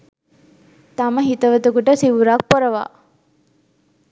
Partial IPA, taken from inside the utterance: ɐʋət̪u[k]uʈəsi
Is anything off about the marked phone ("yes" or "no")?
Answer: no